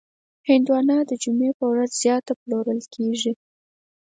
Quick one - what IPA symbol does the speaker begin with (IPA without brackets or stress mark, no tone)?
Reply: h